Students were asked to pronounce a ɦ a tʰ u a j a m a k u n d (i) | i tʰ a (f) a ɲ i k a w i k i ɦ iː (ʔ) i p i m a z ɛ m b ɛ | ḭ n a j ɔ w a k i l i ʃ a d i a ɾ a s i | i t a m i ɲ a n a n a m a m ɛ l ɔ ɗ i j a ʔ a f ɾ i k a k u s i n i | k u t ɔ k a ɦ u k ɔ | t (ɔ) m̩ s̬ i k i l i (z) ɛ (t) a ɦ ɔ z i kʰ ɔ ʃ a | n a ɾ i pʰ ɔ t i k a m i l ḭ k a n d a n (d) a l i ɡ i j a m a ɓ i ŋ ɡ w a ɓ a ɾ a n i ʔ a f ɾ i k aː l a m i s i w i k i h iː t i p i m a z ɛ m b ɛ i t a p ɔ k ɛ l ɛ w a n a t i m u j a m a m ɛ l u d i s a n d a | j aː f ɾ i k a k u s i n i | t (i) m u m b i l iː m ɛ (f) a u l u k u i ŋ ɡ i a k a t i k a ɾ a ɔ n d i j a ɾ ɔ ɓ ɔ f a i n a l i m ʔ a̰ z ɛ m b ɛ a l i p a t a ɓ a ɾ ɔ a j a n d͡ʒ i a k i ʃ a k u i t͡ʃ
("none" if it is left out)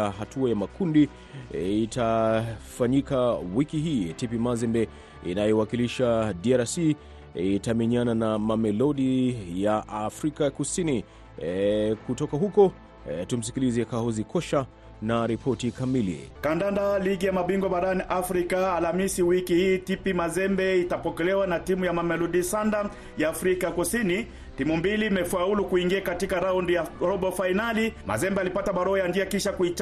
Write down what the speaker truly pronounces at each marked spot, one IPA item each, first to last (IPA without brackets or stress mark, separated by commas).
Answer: i, f, t, u, z, k, d, i, f